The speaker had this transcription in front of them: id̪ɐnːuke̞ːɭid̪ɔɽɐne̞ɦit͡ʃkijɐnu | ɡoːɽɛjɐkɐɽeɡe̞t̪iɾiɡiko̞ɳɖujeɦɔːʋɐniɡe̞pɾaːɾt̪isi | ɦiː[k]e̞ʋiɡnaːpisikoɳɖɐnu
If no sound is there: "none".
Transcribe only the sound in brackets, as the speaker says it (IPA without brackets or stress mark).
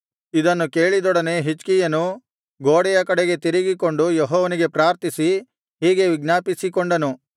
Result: ɡ